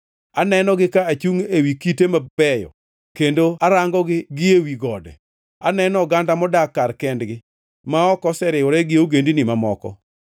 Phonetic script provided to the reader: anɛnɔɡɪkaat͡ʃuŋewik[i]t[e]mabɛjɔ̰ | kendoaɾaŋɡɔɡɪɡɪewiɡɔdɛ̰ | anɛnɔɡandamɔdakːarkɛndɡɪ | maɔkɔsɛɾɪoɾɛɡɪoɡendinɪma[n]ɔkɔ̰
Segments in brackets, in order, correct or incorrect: correct, correct, incorrect

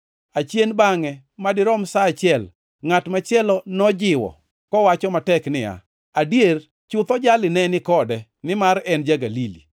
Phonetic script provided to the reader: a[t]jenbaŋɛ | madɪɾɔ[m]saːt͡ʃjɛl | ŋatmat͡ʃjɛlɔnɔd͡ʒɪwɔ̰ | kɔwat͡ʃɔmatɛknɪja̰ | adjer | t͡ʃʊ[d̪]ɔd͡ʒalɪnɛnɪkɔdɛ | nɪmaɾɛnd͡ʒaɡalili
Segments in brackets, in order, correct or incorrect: incorrect, correct, incorrect

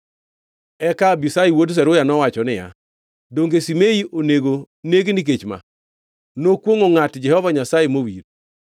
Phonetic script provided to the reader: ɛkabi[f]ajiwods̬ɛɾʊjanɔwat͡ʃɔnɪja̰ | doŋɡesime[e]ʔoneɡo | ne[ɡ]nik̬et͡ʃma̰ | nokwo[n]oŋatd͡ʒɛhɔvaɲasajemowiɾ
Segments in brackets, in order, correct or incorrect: incorrect, incorrect, correct, incorrect

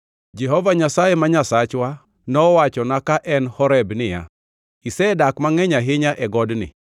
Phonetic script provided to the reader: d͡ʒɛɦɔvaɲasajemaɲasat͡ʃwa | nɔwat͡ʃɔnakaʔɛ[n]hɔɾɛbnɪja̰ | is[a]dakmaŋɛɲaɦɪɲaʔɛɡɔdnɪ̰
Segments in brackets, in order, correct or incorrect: correct, incorrect

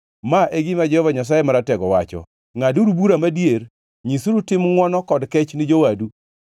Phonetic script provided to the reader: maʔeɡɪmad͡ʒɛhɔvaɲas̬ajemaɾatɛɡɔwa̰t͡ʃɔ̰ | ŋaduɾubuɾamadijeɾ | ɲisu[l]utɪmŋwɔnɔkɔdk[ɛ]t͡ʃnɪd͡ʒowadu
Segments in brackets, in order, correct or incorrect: incorrect, correct

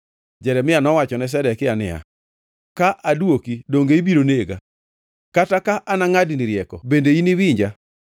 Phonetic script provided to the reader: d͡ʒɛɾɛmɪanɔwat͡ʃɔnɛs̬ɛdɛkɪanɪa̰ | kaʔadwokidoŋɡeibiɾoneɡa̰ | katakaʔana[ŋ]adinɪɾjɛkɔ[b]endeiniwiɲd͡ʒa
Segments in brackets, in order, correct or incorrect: correct, correct

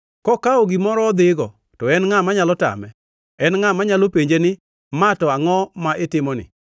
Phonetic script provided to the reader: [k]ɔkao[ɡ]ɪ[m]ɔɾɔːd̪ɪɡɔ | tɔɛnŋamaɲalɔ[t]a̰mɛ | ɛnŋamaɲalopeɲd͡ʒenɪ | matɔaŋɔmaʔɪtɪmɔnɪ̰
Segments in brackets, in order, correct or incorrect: correct, correct, correct, correct

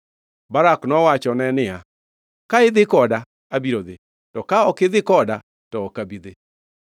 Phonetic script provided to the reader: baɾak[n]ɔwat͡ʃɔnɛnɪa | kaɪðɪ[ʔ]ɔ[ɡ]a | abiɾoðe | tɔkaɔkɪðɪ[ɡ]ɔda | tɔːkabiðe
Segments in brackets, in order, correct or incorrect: correct, incorrect, incorrect, incorrect

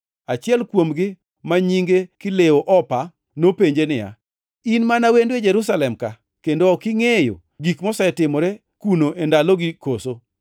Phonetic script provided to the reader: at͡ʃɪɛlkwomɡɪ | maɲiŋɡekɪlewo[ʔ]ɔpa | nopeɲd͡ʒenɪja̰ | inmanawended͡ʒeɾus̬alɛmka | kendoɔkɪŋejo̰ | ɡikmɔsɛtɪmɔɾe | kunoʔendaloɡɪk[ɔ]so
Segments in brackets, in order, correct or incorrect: correct, incorrect

